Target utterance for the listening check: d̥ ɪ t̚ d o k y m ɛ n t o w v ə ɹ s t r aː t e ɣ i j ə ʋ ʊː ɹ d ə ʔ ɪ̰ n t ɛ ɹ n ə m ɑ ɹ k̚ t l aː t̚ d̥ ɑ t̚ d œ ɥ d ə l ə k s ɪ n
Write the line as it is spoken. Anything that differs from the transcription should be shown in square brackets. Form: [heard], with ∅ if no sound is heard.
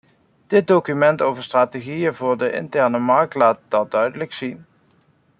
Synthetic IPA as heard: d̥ ɪ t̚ d o k y m ɛ n t o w v ə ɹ s t r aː t e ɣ i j ə [v] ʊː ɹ d ə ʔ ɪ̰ n t ɛ ɹ n ə m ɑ ɹ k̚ t l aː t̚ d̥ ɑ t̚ d œ ɥ d ə l ə k s [i] n